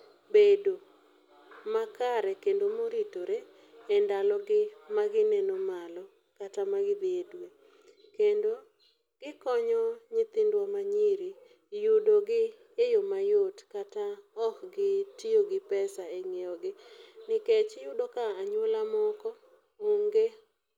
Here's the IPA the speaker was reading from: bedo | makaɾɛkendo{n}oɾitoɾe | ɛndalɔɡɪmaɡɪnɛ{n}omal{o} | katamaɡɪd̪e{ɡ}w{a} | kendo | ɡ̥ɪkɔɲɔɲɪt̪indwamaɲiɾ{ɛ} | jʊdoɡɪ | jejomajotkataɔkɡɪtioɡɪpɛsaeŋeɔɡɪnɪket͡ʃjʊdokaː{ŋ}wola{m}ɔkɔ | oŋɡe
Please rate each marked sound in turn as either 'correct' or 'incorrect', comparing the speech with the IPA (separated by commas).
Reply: incorrect, correct, incorrect, incorrect, incorrect, incorrect, incorrect, correct